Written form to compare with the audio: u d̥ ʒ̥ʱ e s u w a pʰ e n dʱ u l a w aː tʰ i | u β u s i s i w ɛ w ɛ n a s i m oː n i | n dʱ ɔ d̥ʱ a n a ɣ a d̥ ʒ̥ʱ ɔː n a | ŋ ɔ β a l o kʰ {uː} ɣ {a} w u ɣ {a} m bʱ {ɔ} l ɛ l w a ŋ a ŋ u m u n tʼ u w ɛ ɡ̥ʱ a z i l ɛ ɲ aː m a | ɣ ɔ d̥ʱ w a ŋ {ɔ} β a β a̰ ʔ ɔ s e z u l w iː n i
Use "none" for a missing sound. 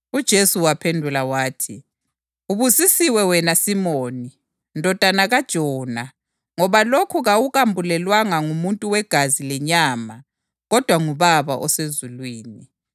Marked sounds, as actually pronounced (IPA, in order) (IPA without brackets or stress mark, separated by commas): u, a, a, u, u